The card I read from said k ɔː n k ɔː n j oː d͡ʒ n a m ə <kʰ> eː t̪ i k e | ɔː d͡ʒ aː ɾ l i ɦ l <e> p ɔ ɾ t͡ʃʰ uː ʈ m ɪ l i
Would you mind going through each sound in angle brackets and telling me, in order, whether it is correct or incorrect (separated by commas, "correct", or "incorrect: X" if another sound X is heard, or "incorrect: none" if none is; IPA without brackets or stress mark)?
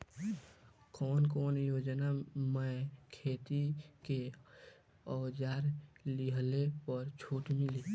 correct, correct